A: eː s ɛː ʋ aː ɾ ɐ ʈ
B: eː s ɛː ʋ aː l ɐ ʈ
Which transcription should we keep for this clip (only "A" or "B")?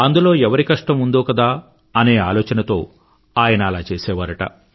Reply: A